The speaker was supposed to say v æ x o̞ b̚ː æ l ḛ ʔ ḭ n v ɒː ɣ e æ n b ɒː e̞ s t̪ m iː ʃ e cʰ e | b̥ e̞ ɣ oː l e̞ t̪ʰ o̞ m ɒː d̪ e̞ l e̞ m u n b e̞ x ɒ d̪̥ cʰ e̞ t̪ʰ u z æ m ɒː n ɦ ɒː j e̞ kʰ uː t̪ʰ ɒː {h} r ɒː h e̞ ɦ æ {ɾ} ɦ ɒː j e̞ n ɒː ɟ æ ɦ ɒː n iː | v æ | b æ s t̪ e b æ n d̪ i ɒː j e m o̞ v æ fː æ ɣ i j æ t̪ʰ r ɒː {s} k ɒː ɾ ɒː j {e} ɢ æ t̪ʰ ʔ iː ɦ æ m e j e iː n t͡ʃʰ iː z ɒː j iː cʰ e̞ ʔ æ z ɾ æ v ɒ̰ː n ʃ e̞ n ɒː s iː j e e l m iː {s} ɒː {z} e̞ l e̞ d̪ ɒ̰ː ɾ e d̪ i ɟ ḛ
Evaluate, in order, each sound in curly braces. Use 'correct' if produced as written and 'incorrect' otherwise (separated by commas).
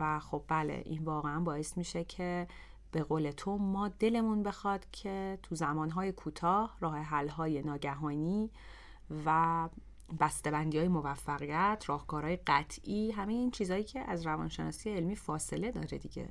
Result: correct, incorrect, incorrect, correct, incorrect, incorrect